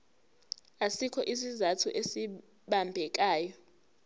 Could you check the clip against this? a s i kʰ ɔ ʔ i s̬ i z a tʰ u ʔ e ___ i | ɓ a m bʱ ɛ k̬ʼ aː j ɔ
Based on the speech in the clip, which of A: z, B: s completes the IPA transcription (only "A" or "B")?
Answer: B